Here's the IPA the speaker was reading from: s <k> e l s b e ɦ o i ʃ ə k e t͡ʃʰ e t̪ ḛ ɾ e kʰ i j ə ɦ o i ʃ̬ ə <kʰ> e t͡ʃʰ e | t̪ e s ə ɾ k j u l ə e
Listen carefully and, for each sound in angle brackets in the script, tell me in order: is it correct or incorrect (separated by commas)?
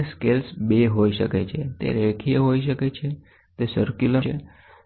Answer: correct, incorrect